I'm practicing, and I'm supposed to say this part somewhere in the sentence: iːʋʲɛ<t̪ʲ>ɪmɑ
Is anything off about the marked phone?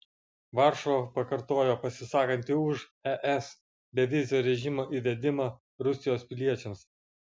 yes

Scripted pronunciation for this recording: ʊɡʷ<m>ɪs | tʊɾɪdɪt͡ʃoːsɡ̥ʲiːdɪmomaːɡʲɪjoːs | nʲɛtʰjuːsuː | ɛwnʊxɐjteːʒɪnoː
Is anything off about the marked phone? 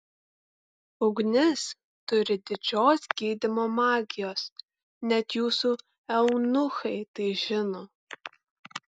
yes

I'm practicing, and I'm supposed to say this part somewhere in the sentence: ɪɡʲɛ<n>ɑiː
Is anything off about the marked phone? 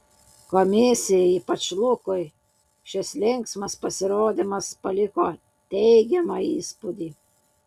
yes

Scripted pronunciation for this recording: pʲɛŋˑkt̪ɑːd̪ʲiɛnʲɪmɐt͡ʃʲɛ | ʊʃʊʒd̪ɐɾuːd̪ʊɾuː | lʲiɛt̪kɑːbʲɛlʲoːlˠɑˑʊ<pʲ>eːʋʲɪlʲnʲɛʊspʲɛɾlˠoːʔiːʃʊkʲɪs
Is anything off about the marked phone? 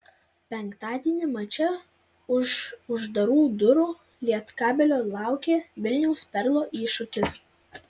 yes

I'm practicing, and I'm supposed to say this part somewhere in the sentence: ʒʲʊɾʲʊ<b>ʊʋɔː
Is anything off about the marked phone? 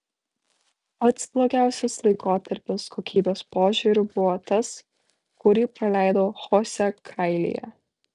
no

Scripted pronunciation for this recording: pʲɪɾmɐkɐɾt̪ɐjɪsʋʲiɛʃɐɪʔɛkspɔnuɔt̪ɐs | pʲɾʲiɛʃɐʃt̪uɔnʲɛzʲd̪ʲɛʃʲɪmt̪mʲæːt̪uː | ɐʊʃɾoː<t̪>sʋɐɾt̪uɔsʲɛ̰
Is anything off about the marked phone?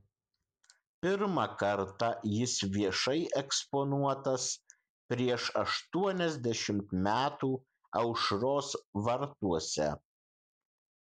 yes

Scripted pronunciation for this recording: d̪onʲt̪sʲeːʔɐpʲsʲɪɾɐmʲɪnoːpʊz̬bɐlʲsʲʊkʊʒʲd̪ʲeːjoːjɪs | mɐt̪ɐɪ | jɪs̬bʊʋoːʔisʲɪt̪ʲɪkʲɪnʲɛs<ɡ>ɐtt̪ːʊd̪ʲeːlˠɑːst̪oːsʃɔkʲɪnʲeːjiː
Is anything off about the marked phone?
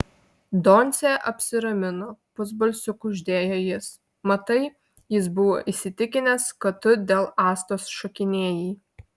yes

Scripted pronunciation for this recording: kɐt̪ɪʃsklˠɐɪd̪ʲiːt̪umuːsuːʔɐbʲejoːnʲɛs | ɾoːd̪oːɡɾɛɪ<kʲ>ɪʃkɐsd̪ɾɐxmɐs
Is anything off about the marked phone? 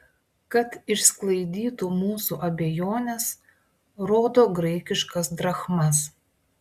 no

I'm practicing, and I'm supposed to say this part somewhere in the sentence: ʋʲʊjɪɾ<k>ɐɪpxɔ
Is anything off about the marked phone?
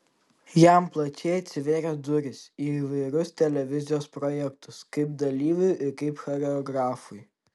no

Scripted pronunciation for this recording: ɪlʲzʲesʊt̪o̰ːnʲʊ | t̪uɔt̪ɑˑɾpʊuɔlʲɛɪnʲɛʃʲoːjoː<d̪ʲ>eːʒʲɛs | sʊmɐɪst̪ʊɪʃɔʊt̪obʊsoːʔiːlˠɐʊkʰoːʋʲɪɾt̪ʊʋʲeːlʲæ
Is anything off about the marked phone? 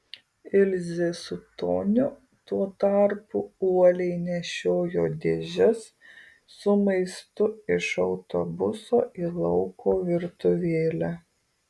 no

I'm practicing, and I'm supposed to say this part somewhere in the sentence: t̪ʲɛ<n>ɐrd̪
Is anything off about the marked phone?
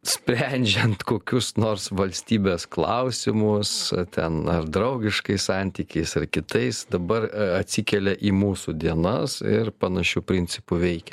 no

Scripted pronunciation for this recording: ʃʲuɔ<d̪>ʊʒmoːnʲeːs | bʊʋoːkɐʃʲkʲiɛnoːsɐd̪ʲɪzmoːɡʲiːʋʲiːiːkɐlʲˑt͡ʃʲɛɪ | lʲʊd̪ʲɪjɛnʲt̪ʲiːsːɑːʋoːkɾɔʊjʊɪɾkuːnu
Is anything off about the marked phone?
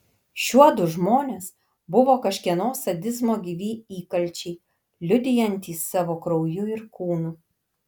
no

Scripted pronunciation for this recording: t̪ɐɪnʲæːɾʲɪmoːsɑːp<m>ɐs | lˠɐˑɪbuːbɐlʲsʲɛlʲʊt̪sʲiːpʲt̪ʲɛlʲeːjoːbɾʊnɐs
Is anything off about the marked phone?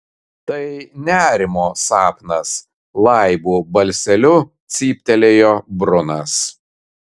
yes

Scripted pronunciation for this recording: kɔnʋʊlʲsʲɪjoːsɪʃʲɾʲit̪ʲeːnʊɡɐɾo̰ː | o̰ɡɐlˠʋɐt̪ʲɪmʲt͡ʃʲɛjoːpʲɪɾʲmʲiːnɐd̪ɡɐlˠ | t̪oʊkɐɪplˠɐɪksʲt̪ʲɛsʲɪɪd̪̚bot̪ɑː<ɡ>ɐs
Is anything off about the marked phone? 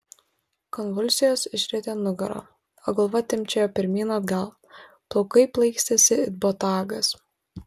no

